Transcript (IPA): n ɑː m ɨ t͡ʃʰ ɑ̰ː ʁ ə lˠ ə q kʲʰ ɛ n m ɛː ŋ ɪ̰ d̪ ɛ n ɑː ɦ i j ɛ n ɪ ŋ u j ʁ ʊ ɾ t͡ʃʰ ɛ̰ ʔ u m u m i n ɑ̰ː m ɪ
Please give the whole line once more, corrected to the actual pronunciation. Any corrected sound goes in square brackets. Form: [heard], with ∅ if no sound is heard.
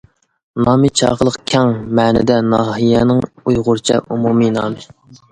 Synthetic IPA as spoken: n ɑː m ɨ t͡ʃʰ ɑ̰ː ʁ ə lˠ ə q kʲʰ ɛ [ŋ] m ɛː [n] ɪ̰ d̪ ɛ n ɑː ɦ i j ɛ n ɪ ŋ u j ʁ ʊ ɾ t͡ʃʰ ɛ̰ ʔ u m u m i n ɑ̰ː m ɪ